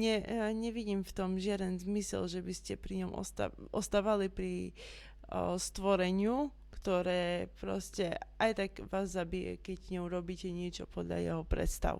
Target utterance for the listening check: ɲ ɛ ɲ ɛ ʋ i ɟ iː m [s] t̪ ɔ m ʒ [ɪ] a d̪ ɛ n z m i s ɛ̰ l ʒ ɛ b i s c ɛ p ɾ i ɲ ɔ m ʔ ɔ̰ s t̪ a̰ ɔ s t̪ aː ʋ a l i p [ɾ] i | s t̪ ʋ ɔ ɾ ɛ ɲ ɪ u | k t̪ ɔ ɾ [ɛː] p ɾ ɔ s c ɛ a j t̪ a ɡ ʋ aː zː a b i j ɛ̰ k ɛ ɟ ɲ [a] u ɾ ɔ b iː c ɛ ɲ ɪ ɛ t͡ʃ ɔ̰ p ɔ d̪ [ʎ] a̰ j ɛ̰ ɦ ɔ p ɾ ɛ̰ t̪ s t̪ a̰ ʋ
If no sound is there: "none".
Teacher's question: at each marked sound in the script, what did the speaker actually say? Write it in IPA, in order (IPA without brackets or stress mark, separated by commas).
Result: f, ɪ, ɾ, ɛː, ɛ, ʎ